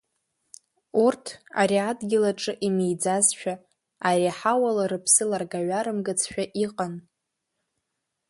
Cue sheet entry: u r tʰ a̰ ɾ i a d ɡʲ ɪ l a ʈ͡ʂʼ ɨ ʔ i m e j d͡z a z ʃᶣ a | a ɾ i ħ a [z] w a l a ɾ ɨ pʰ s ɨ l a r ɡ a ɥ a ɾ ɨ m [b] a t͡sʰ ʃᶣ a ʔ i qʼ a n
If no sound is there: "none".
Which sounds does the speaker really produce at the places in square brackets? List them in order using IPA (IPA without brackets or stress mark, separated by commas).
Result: none, ɡ